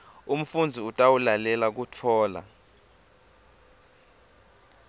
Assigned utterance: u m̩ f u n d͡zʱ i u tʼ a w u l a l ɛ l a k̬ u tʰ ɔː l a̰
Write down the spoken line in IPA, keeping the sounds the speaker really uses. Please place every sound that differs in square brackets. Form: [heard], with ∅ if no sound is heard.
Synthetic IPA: u m̩ f u n d͡zʱ i u tʼ a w u l a l ɛ l a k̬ u tʰ ɔː l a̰